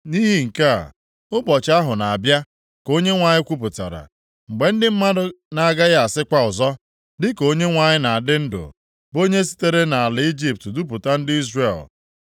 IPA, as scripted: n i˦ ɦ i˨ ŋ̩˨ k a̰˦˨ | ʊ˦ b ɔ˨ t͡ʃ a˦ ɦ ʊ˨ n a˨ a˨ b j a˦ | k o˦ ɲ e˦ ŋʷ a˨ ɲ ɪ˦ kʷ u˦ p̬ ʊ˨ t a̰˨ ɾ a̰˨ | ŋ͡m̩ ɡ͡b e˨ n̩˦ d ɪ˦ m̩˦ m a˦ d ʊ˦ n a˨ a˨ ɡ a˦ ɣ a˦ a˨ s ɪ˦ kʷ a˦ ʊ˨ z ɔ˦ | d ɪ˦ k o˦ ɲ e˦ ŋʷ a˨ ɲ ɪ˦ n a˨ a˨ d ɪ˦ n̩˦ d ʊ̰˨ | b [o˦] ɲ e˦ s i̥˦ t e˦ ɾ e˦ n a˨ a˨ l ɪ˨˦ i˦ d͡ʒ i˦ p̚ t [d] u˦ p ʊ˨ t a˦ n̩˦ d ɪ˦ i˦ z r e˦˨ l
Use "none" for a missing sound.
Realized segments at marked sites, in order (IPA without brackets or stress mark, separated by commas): o˦, d